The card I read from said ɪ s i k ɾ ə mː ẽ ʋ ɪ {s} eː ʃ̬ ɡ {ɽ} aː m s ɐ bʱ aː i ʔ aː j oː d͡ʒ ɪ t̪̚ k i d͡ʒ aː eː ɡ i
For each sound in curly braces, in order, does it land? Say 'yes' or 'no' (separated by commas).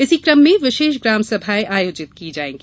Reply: no, no